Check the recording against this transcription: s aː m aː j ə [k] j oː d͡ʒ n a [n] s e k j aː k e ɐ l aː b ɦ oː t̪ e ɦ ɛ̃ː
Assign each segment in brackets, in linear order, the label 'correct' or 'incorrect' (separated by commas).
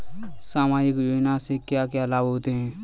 correct, incorrect